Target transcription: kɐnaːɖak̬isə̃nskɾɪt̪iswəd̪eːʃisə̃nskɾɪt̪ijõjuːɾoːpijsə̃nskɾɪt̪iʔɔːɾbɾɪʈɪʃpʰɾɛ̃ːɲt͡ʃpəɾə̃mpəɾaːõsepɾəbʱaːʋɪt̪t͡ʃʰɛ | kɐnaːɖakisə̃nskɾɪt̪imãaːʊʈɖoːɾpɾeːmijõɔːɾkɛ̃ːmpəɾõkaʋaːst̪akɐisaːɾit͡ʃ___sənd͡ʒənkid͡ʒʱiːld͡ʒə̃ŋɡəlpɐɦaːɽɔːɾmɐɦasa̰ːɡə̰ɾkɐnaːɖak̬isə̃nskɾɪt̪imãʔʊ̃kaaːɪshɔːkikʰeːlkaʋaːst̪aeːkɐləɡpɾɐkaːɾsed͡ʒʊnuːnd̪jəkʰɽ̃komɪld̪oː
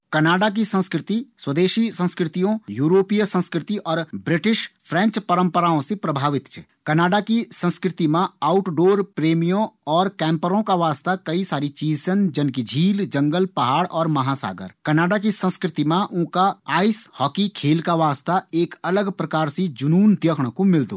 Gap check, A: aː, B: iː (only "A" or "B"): B